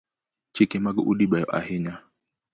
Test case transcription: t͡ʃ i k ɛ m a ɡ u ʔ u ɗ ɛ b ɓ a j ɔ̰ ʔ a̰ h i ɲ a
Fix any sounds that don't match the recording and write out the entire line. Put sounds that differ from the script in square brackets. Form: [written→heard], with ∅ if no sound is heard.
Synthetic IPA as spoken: t͡ʃ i k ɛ m a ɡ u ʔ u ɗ [ɛ→i] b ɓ a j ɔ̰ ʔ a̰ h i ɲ a